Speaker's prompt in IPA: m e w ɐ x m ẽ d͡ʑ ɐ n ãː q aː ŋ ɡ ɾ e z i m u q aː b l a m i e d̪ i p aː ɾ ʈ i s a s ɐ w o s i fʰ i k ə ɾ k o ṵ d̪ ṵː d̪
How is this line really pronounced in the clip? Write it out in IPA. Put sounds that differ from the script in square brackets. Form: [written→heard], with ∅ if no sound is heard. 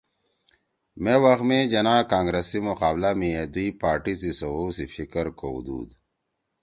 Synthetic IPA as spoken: m e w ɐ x m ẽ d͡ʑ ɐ n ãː [q→k] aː ŋ ɡ ɾ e [z→s] i m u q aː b l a m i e d̪ i p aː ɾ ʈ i s [a→i] s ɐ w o s i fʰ i k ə ɾ k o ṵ d̪ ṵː d̪